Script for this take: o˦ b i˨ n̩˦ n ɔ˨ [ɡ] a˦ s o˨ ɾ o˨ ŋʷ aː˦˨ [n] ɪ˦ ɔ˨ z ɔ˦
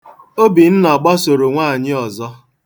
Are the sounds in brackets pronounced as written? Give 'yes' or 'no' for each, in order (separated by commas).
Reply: no, no